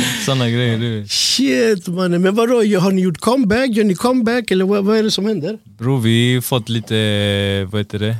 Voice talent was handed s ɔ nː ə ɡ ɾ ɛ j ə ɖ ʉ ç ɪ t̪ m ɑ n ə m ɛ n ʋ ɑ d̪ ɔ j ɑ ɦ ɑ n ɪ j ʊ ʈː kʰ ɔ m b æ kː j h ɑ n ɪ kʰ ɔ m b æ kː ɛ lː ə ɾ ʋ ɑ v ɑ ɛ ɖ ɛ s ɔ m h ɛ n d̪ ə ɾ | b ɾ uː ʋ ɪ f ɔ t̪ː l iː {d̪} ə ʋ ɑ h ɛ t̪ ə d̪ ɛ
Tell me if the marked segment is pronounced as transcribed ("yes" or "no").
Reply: no